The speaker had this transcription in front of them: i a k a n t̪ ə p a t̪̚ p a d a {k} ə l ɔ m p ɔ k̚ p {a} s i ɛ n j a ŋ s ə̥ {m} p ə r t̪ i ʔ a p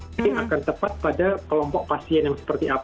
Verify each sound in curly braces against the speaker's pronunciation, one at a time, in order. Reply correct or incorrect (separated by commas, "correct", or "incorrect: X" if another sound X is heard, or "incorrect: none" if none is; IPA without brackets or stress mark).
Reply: correct, correct, incorrect: none